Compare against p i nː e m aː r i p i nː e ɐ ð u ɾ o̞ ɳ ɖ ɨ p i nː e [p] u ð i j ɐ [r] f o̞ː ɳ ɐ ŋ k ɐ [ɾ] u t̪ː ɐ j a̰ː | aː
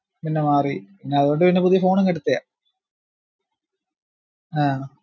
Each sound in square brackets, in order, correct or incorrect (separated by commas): correct, incorrect, incorrect